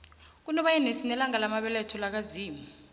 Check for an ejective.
absent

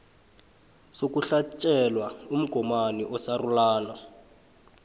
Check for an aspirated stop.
absent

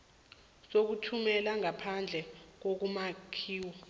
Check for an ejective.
absent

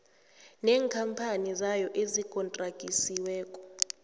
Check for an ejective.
present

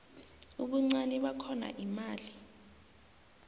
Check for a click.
present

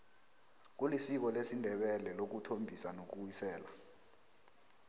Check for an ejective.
absent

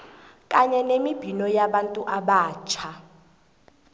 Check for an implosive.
present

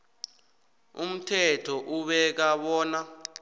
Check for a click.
absent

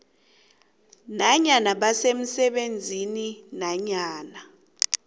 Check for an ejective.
absent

